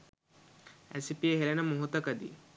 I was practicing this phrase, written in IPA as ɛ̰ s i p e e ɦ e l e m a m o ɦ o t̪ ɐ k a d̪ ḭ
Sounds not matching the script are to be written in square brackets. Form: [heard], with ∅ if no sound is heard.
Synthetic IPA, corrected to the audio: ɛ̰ s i p [i] e ɦ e l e [n] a m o ɦ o t̪ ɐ k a d̪ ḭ